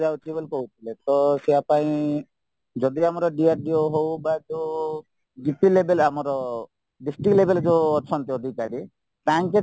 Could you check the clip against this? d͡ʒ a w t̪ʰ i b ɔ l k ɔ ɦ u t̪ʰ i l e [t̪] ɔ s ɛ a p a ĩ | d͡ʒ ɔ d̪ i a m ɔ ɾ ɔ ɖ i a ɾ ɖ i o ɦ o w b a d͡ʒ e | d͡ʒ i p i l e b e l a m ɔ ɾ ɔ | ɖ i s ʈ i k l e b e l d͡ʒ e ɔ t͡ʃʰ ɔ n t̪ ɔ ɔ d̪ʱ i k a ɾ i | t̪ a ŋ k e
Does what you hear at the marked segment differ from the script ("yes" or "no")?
no